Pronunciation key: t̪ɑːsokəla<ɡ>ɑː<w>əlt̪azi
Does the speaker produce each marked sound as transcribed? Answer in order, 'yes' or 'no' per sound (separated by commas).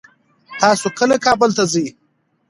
no, no